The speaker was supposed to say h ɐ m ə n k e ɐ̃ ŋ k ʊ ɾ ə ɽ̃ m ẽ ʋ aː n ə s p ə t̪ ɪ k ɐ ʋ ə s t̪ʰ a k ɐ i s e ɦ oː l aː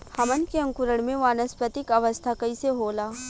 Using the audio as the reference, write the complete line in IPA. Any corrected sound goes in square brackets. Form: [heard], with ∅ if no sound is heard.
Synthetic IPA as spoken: h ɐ m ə n k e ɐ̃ ŋ k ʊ ɾ ə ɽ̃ m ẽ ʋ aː n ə s p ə t̪ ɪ k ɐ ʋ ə s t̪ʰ a k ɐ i s e ɦ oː l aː